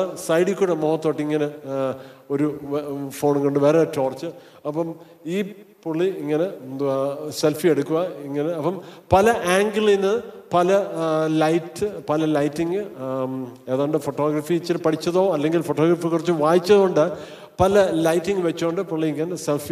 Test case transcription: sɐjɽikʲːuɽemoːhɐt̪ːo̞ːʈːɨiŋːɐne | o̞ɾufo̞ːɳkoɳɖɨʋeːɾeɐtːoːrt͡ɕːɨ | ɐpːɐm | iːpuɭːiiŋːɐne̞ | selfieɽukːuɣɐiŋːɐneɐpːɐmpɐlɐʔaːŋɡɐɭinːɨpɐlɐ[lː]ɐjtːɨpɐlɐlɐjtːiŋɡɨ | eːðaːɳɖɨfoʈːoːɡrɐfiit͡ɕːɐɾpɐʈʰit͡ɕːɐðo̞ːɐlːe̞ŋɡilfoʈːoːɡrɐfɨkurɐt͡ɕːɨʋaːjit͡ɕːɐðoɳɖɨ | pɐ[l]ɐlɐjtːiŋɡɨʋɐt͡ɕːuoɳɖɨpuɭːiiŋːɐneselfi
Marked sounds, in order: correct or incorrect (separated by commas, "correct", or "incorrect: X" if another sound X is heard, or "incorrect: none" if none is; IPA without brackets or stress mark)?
incorrect: l, correct